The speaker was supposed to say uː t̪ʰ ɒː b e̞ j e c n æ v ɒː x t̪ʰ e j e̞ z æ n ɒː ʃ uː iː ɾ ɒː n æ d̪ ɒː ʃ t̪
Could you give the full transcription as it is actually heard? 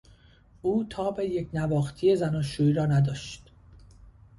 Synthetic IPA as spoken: uː t̪ʰ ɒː b e̞ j e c n æ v ɒː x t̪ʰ i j e̞ z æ n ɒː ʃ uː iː ɾ ɒː n æ d̪ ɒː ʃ t̪

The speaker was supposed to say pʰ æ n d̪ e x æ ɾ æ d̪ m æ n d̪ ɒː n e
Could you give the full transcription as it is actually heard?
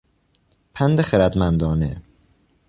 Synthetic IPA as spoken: pʰ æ n d̪ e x e ɾ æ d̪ m æ n d̪ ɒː n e

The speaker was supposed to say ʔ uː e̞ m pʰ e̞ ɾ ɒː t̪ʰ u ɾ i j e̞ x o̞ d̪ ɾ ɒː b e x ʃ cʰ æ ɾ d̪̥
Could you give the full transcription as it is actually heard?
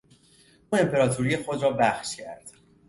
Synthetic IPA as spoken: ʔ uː e̞ m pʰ e̞ ɾ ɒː t̪ʰ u ɾ i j e̞ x o̞ d̪ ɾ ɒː b æ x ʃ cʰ æ ɾ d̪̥

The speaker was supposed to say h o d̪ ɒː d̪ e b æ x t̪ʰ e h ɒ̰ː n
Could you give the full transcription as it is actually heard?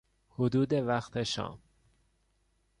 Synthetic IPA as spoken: h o d̪ uː d̪ e v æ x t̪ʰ e ʃ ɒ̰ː m

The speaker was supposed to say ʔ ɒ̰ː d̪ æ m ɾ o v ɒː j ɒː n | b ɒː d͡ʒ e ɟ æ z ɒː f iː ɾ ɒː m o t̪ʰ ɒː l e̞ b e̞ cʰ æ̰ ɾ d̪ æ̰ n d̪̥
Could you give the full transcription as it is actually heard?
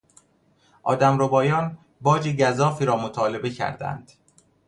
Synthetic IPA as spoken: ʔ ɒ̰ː d̪ æ m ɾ o b ɒː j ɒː n | b ɒː d͡ʒ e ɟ æ z ɒː f iː ɾ ɒː m o t̪ʰ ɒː l e̞ b e̞ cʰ æ̰ ɾ d̪ æ̰ n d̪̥

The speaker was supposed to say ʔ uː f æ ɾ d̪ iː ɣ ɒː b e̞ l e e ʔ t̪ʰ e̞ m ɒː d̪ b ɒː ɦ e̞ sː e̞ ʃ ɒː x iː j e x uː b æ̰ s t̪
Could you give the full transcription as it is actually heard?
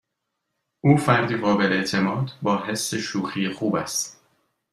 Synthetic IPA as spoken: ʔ uː f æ ɾ d̪ iː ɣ ɒː b e̞ l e e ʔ t̪ʰ e̞ m ɒː d̪ b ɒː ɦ e̞ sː e̞ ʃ uː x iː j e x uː b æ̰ s t̪

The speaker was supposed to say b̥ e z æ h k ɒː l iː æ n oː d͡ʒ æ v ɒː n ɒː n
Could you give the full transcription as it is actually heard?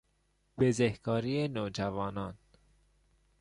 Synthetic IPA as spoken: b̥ e z e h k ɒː ɾ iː e n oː d͡ʒ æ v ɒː n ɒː n

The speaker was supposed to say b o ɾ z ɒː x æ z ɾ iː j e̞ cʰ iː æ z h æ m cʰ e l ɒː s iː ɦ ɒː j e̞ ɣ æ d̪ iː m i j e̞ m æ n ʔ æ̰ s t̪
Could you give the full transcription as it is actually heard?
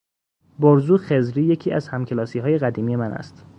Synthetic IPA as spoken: b o ɾ z uː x e z ɾ iː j e̞ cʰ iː æ z h æ m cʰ e l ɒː s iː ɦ ɒː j e̞ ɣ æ d̪ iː m i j e̞ m æ n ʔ æ̰ s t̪

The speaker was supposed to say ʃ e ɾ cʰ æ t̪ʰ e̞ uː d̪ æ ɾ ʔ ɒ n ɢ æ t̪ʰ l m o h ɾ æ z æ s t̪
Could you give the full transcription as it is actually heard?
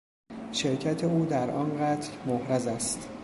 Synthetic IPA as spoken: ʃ e ɾ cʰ æ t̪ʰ e̞ uː d̪ æ ɾ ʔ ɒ n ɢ æ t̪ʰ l m o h ɾ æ z æ s t̪

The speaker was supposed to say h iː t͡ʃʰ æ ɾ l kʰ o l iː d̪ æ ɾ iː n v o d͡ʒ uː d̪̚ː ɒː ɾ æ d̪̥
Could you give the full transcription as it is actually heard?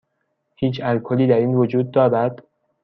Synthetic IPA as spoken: h iː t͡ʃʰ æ l kʰ o l iː d̪ æ ɾ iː n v o d͡ʒ uː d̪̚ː ɒː ɾ æ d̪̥

